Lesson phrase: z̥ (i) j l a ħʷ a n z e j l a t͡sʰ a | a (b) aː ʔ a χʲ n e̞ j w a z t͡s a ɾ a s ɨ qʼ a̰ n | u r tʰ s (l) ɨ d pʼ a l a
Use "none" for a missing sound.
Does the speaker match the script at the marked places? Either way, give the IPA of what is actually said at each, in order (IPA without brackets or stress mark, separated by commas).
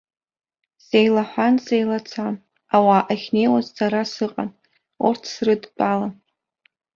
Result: e, w, r